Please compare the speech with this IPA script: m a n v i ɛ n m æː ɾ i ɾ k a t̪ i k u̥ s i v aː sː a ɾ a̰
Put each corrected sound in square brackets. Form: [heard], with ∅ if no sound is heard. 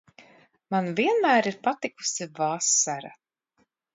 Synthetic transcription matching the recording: m a n v i ɛ n m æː ɾ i ɾ [p] a t̪ i k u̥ s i v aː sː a ɾ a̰